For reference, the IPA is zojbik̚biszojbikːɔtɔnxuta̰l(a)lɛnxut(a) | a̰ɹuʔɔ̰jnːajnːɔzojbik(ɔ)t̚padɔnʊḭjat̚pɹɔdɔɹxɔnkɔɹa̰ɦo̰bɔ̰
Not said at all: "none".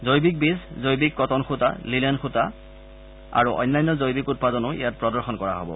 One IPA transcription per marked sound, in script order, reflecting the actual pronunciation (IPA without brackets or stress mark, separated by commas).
i, a, u